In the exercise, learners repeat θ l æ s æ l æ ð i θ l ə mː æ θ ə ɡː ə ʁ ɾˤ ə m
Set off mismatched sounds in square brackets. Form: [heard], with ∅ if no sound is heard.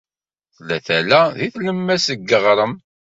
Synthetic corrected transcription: θ l æ [θ] æ l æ ð i θ l ə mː æ [s] ə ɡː ə ʁ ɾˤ ə m